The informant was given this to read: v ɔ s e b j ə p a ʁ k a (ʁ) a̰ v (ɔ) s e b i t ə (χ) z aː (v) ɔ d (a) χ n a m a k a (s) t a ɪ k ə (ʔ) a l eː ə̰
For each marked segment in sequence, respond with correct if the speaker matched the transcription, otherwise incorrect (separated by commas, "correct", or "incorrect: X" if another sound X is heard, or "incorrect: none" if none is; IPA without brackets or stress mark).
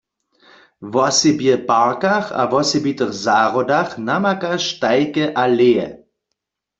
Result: incorrect: χ, correct, correct, incorrect: ʁ, correct, incorrect: ʃ, correct